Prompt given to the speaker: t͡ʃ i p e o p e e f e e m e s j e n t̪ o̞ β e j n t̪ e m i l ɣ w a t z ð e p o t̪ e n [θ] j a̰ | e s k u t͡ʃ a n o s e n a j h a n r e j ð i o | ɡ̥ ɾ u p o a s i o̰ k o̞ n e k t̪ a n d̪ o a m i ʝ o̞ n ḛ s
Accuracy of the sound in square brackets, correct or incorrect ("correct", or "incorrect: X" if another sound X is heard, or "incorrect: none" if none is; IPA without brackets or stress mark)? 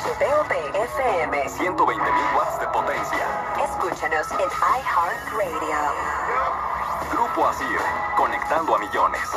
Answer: incorrect: s